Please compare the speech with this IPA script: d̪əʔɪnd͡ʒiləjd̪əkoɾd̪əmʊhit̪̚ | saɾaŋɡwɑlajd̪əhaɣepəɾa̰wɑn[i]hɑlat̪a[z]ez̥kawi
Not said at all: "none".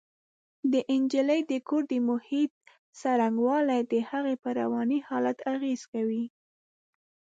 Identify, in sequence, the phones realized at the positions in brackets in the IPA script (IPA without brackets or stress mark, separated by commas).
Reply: i, ɣ